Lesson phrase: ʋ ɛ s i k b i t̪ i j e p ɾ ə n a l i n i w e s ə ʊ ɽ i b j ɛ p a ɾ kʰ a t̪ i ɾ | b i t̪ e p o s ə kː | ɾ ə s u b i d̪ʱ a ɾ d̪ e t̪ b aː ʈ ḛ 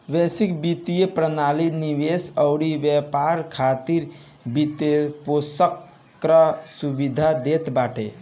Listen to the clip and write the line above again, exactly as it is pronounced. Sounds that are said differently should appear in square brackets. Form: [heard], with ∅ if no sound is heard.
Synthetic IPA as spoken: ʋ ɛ s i k b i t̪ i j e p ɾ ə n a l i n i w e s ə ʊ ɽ i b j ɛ p a ɾ kʰ a t̪ i ɾ | b i t̪ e p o s ə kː | ɾ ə s u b i d̪ʱ a [∅] d̪ e t̪ b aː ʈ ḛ